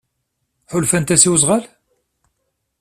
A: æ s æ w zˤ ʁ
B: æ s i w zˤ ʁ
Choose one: B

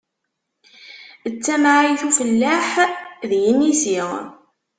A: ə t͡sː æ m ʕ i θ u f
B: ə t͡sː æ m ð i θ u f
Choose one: A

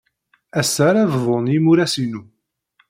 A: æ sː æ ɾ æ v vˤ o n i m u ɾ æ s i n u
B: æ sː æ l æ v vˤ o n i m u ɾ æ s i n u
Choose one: A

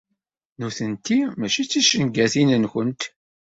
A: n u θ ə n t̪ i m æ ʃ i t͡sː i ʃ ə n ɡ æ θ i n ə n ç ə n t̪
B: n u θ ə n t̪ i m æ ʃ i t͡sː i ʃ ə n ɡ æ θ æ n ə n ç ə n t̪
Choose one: A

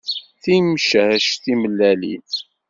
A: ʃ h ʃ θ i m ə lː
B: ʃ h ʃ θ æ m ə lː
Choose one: A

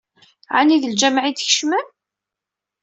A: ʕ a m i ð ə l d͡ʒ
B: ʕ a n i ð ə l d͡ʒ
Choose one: B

